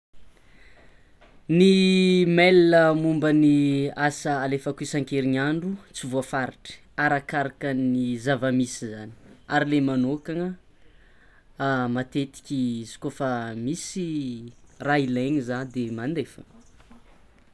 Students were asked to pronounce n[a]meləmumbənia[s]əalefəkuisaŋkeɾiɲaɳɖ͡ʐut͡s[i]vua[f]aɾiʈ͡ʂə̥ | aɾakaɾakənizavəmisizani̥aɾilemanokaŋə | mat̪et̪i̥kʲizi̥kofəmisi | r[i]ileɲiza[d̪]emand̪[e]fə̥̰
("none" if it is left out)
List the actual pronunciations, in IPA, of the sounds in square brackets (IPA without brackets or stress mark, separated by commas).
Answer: i, s, i, f, a, d̪, e